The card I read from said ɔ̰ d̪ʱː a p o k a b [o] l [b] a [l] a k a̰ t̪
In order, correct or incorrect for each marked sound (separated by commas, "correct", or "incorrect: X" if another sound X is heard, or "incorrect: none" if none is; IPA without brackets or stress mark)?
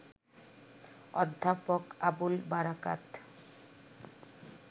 incorrect: u, correct, incorrect: ɾ